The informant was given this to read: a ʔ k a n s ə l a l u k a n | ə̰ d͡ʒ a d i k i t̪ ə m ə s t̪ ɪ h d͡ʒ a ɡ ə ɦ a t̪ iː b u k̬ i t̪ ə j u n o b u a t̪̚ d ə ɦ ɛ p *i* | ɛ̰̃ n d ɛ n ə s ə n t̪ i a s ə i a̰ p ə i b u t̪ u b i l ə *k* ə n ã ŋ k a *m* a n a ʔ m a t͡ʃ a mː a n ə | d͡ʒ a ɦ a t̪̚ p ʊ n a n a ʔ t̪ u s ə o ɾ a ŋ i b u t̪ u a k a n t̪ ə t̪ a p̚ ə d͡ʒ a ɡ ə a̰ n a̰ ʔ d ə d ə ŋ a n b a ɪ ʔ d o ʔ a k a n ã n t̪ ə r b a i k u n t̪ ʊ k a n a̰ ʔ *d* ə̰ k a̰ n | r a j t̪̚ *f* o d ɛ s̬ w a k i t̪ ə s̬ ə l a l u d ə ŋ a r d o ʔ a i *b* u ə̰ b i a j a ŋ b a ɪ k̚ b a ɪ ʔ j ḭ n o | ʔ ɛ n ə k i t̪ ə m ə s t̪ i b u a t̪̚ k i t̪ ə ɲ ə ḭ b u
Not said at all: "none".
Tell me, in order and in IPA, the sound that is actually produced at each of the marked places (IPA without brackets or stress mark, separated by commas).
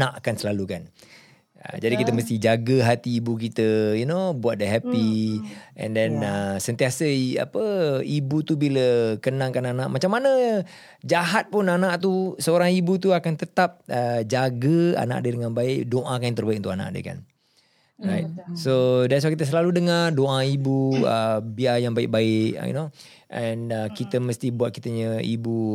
i, k, n, d, s, b